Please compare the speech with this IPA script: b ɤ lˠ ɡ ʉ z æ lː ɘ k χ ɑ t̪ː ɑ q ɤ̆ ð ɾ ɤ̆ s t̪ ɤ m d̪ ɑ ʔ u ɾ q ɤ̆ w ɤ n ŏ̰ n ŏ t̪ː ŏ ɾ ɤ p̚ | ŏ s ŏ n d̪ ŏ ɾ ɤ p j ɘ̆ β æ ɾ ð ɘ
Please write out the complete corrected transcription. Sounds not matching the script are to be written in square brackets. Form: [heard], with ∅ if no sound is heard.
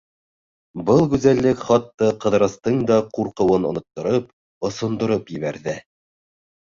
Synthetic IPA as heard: b ɤ lˠ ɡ ʉ z æ lː ɘ k χ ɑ t̪ː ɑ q ɤ̆ ð ɾ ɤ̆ s t̪ ɤ [ɴ] d̪ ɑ [q] u ɾ q ɤ̆ w ɤ n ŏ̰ n ŏ t̪ː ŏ ɾ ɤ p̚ | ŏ s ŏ n d̪ ŏ ɾ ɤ p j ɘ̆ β æ ɾ ð ɘ